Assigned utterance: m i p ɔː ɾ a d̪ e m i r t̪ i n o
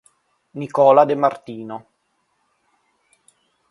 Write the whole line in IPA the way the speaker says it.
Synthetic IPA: n i k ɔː l a d̪ e m a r t̪ iː n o